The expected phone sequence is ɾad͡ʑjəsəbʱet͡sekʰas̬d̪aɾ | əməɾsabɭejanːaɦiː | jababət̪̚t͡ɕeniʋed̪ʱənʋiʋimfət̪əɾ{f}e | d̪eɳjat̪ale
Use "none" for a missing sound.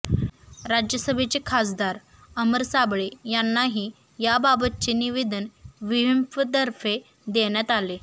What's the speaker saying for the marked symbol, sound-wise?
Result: f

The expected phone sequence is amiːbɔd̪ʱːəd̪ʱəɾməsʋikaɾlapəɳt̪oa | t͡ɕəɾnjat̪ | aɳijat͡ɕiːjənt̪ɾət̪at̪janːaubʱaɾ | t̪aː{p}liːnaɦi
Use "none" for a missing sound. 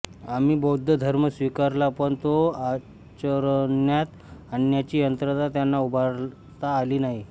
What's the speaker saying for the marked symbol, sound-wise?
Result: none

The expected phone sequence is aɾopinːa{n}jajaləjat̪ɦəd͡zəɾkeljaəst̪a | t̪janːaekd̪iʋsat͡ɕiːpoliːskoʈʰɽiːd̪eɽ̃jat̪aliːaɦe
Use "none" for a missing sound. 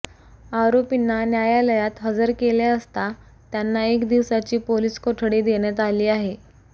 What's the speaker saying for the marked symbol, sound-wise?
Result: n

